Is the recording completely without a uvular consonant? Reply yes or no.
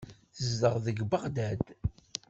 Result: no